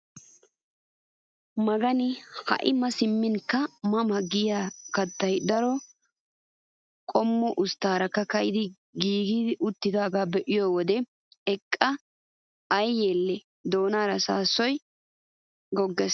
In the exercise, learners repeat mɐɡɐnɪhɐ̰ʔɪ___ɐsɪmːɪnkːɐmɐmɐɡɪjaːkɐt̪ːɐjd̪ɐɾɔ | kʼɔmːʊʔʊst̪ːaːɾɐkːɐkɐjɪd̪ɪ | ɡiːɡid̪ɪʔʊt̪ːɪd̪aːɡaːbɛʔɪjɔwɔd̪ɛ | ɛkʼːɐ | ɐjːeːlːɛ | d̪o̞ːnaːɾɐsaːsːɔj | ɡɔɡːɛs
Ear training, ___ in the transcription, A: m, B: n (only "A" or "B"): A